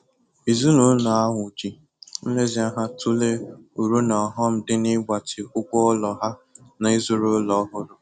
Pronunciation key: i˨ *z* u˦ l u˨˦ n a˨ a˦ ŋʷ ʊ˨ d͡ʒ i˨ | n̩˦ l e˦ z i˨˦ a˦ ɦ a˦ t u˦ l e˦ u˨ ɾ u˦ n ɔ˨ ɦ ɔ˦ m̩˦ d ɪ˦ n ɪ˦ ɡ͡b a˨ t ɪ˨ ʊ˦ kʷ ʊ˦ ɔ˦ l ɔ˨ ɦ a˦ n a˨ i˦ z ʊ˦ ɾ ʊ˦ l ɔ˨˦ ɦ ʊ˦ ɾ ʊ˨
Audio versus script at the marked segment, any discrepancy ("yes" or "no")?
no